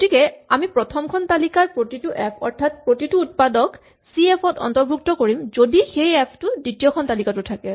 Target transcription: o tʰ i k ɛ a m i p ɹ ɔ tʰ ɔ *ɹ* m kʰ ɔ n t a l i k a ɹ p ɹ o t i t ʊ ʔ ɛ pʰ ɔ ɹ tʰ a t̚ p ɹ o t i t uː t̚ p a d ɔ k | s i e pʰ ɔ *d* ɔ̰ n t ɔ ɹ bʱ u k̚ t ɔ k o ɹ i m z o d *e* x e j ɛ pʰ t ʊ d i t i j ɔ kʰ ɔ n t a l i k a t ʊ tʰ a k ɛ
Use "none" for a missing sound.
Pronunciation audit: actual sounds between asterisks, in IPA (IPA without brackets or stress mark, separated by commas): none, t, i